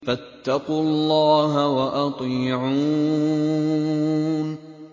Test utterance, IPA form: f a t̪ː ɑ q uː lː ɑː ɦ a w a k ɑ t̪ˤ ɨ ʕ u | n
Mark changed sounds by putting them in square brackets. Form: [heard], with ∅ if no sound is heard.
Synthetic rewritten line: f a t̪ː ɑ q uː lː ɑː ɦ a w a [ʔ] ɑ t̪ˤ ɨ ʕ u | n